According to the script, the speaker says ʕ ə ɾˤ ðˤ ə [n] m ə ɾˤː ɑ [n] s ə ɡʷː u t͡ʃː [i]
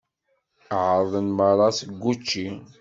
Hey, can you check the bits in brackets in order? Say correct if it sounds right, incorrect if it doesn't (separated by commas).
correct, incorrect, correct